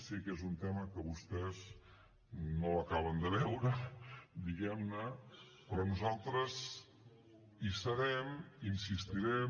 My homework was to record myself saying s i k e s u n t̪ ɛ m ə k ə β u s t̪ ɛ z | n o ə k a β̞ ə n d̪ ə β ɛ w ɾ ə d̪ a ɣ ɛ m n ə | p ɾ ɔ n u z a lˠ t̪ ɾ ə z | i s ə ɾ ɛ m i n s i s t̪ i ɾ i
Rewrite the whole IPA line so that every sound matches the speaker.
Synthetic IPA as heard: s i k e z u n t̪ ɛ m ə k ə β u s t̪ ɛ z | n o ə k a β̞ ə n d̪ ə β ɛ w ɾ ə d̪ i ɣ ɛ m n ə | p ɾ ɔ n u z a lˠ t̪ ɾ ə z | i s ə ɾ ɛ m i n s i s t̪ i ɾ ɛ